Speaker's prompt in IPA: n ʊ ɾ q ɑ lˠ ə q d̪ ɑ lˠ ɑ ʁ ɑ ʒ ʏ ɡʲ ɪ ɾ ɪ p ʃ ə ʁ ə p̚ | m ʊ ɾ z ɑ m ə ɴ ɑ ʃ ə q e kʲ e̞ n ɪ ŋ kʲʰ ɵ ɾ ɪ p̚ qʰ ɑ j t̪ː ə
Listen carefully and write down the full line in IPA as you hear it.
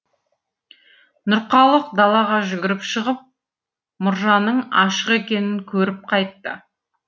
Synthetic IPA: n ʊ ɾ q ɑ lˠ ə q d̪ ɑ lˠ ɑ ʁ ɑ ʒ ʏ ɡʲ ɪ ɾ ɪ p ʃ ə ʁ ə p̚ | m ʊ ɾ ʒ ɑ n ə ɴ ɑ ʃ ə q e kʲ e̞ n ɪ ŋ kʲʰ ɵ ɾ ɪ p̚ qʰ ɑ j t̪ː ə